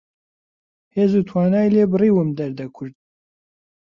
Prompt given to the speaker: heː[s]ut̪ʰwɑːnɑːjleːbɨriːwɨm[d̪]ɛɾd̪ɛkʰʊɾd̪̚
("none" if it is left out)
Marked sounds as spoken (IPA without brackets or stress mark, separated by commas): z, d̪